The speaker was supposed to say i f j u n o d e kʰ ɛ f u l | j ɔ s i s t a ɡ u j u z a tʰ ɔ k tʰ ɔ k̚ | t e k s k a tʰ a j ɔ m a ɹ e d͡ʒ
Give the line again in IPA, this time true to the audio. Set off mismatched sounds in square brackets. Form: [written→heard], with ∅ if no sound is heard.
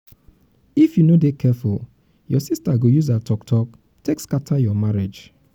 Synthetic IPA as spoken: i f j u n o d e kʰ ɛ f u l | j ɔ s i s t a ɡ [u→o] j u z a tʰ ɔ k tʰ ɔ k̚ | t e k s k a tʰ a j ɔ m a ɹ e d͡ʒ

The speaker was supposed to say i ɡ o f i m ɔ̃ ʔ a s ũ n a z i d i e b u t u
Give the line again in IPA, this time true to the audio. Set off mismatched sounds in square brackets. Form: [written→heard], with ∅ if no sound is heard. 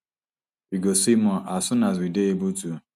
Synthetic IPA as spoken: i ɡ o [f→s] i m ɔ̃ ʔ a s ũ n a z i d [i→e] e b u t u

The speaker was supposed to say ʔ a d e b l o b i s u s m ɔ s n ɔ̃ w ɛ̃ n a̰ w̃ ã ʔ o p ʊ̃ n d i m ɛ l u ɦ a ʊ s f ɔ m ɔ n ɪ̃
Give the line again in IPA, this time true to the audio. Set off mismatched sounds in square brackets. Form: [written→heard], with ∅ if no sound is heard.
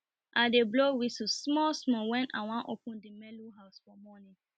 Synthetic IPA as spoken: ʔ a d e b l o [b→w] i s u s m ɔ s [n→m] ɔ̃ w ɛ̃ n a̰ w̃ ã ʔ o p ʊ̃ n d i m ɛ l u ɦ a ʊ s f ɔ m ɔ n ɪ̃

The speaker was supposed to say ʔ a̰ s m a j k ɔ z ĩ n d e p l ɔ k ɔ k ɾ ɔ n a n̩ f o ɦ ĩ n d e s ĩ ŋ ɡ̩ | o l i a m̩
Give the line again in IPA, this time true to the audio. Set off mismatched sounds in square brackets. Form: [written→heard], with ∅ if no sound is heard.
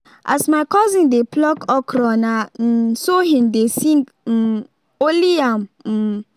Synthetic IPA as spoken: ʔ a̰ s m a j k ɔ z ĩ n d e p l ɔ k ɔ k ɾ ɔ n a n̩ [f→s] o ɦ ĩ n d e s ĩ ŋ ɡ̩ | o l i a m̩

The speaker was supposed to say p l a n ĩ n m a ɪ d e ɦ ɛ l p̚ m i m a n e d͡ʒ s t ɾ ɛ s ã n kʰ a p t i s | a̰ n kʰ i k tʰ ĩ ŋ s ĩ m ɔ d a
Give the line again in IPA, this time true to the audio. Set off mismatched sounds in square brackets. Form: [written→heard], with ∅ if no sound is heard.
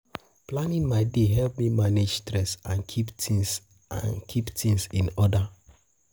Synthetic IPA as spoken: p l a n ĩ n m a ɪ d e ɦ ɛ l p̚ m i m a n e d͡ʒ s t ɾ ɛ s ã n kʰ [a→i] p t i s | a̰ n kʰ i [k→p] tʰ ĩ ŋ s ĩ [m→n] ɔ d a

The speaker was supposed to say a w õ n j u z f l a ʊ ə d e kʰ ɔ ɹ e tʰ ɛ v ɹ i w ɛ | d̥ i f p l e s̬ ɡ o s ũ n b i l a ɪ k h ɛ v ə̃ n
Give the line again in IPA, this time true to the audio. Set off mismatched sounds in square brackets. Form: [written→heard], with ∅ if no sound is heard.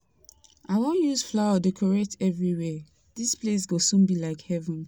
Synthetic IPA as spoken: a w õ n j u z f l a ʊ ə d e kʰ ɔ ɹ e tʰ ɛ v ɹ i w ɛ | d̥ i [f→s] p l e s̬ ɡ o s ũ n b i l a ɪ k h ɛ v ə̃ n

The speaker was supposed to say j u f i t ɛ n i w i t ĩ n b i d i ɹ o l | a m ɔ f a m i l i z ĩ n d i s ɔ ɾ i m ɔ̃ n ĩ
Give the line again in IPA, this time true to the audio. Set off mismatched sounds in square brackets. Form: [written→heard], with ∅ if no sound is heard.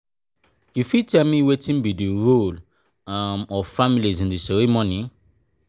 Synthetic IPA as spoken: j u f i t ɛ [n→m] i w [i→e] t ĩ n b i d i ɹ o l | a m ɔ f a m i l i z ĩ n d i s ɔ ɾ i m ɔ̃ n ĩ

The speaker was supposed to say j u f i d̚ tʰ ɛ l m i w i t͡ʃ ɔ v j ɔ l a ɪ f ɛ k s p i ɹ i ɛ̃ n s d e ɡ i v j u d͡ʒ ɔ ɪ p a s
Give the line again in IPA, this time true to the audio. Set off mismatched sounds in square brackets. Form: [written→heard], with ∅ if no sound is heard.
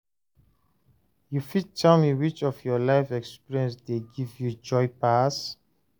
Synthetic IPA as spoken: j u f i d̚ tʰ ɛ l m i w i t͡ʃ ɔ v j ɔ l a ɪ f ɛ k s p i ɹ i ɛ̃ n s d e ɡ i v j u d͡ʒ ɔ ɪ p a s

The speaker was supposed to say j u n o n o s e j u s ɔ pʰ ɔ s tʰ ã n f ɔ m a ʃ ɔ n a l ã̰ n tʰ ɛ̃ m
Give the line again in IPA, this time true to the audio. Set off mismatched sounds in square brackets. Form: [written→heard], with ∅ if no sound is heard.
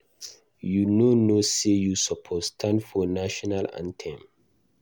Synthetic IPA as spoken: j u n o n o s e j u s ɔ pʰ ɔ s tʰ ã n f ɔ [m→n] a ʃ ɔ n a l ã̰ n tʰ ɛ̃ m

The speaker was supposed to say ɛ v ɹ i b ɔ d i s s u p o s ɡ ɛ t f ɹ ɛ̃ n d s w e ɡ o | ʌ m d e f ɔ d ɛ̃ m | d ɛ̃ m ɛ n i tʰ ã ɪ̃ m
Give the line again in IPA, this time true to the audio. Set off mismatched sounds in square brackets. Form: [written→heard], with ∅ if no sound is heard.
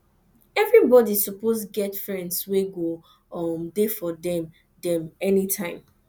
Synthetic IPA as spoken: ɛ v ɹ i b ɔ d i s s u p o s ɡ ɛ t f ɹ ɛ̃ n d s w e ɡ o | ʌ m d e f ɔ d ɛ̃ m | d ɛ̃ m ɛ n i tʰ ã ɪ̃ m

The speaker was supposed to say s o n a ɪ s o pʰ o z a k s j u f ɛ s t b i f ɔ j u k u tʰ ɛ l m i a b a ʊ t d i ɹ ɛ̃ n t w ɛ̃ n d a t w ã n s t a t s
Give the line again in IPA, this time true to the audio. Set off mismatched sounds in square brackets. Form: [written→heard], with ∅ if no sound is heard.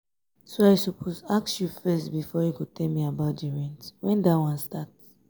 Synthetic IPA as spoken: s o [n→∅] a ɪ s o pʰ o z a k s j u f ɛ s t b i f ɔ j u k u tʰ ɛ l m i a b a ʊ t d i ɹ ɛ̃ n t w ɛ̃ n d a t w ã n s t a t s

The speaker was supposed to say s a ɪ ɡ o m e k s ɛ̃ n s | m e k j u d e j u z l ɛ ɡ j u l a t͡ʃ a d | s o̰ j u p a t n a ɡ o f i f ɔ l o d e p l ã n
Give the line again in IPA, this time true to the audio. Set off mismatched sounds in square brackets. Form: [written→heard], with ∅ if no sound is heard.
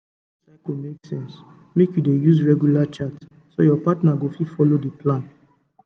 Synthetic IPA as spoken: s a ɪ [ɡ→k] o m e k s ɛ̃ n s | m e k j u d e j u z [l→ɹ] ɛ ɡ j u l a t͡ʃ a [d→t] | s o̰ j [u→ɔ] p a t n a ɡ o f i f ɔ l o d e p l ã n

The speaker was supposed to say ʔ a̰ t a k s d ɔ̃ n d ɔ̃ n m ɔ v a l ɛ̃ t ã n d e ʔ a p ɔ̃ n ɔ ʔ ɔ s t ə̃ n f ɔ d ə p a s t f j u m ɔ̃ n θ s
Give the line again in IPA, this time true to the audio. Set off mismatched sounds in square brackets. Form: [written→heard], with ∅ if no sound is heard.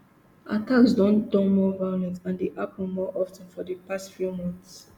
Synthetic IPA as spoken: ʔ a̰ t a k s d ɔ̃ n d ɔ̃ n m ɔ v a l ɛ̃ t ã n d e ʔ a p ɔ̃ [n→m] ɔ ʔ ɔ [s→f] t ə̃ n f ɔ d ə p a s t f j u m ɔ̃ n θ s

